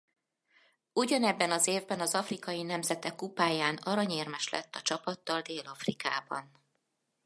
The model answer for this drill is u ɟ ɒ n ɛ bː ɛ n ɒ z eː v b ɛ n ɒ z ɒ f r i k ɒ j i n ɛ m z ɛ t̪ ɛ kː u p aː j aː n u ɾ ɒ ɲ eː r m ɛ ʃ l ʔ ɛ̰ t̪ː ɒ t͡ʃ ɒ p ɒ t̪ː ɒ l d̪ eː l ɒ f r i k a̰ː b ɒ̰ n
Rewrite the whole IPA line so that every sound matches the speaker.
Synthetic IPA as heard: u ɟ ɒ n ɛ bː ɛ n ɒ z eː v b ɛ n ɒ z ɒ f r i k ɒ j i n ɛ m z ɛ t̪ ɛ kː u p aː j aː n ɒ ɾ ɒ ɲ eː r m ɛ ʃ l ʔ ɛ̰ t̪ː ɒ t͡ʃ ɒ p ɒ t̪ː ɒ l d̪ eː l ɒ f r i k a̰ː b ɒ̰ n